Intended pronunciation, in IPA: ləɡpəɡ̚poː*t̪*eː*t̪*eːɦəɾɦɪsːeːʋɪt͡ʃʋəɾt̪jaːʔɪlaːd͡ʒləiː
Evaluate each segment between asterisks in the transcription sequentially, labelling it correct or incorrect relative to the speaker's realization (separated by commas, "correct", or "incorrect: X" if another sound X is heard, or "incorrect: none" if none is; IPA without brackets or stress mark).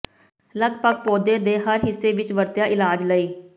incorrect: d̪, incorrect: d̪